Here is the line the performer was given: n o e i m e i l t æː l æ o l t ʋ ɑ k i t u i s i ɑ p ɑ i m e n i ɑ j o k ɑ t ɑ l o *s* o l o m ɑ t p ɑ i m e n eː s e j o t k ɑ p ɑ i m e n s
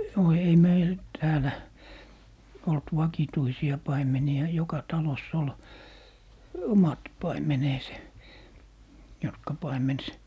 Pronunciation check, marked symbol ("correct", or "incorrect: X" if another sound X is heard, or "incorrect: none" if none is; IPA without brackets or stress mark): incorrect: sː